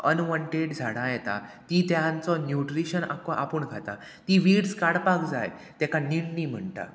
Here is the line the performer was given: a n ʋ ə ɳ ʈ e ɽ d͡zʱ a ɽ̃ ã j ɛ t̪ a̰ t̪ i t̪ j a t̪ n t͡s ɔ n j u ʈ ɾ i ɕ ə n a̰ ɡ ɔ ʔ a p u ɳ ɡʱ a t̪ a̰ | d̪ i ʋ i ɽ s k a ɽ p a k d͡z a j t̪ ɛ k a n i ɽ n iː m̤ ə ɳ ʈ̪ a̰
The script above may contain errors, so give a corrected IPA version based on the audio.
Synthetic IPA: ə n ʋ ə ɳ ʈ e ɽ d͡zʱ a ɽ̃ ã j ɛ t̪ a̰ t̪ i t̪ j a n t͡s ɔ n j u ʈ ɾ i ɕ ə n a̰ k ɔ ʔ a p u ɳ ɡʱ a t̪ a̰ | t̪ i ʋ i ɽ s k a ɽ p a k d͡z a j t̪ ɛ k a n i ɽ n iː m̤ ə ɳ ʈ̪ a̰